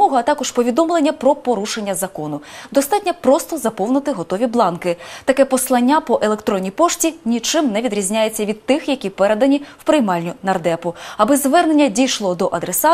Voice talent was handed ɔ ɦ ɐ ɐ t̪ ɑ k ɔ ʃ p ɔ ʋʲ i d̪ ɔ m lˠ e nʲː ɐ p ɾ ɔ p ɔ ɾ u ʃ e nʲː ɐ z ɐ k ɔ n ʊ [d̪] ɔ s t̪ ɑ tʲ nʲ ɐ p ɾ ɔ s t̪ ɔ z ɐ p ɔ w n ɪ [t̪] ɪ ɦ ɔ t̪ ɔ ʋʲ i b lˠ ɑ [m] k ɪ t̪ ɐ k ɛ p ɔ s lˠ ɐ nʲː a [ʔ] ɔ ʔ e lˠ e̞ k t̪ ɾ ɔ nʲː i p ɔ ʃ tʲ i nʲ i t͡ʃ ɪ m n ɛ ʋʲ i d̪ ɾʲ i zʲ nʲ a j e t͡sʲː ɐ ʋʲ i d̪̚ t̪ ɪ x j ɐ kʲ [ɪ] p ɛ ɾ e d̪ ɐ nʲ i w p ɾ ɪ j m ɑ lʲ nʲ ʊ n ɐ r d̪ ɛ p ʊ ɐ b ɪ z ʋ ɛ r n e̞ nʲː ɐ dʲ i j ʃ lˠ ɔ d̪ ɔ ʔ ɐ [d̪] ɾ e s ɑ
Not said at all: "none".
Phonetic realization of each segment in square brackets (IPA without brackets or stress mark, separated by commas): d̪, t̪, n, p, i, d̪